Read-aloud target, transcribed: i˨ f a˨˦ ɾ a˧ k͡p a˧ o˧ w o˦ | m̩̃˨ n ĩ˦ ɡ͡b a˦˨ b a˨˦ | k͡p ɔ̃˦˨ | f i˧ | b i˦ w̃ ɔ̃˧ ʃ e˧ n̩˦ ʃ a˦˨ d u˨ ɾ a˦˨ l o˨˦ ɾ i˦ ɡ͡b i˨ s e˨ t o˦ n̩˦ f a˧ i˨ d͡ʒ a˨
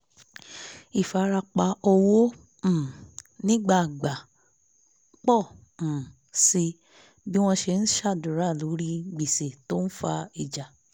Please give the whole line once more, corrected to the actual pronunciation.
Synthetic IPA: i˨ f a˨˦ ɾ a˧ k͡p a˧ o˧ w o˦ | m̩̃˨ n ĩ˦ ɡ͡b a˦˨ ɡ͡b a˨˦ | k͡p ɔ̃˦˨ | s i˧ | b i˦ w̃ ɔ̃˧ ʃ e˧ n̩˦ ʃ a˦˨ d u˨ ɾ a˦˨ l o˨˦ ɾ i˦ ɡ͡b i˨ s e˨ t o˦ n̩˦ f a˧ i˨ d͡ʒ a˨